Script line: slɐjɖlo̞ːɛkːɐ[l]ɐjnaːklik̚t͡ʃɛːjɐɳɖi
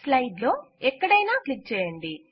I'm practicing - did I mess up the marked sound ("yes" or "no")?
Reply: yes